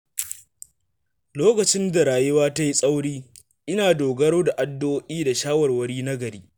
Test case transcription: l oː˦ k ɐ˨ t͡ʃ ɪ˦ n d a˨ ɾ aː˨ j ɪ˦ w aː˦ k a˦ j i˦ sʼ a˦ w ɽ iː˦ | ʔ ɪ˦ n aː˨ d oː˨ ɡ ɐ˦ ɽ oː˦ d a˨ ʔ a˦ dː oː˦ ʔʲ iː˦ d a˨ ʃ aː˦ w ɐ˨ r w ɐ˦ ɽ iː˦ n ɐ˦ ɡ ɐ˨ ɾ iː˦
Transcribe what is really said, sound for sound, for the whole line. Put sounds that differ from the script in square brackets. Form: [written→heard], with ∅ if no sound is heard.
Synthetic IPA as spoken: l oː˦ k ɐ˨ t͡ʃ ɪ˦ n d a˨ ɾ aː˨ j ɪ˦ w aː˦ [k→t] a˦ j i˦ sʼ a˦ w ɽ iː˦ | ʔ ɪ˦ n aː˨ d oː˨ ɡ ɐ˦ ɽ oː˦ d a˨ ʔ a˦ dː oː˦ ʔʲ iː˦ d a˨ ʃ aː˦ w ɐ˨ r w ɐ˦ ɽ iː˦ n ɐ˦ ɡ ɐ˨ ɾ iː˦